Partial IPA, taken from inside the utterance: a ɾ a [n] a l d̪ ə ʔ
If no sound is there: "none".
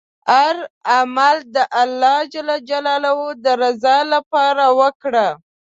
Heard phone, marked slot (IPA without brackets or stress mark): m